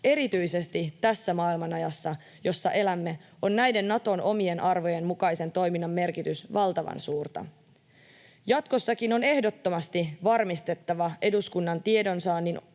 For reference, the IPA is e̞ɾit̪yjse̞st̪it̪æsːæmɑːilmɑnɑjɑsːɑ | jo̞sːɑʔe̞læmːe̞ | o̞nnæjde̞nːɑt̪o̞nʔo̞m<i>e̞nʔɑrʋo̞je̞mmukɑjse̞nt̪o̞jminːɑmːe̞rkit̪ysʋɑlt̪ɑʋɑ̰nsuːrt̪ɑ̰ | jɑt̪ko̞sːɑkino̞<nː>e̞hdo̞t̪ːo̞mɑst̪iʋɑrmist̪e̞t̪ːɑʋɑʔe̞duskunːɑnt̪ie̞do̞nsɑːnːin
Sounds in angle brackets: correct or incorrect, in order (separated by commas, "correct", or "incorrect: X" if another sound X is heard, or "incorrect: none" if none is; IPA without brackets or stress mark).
correct, incorrect: n